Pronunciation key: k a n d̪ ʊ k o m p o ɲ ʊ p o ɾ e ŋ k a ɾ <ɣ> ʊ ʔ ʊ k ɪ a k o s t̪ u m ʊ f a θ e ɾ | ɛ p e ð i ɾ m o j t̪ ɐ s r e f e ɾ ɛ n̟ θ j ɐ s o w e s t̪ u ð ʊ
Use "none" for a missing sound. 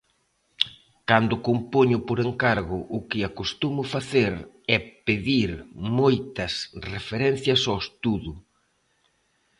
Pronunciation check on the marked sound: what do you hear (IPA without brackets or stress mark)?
ɣ